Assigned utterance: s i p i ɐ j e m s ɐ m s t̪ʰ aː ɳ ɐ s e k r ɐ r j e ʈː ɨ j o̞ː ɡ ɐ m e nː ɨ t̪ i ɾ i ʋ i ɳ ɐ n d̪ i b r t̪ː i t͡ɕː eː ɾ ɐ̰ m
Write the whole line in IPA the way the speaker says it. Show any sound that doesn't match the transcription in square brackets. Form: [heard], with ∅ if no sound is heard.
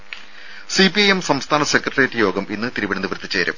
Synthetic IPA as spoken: s i p i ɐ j e m s ɐ m s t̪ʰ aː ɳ ɐ s e k r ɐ r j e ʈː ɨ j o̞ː ɡ ɐ m [i] nː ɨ t̪ i ɾ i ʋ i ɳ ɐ n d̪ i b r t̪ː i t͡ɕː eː ɾ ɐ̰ m